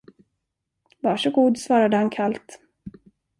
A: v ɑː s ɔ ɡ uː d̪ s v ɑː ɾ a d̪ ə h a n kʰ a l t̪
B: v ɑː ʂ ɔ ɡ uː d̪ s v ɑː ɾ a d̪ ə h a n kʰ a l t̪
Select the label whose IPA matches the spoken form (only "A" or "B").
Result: B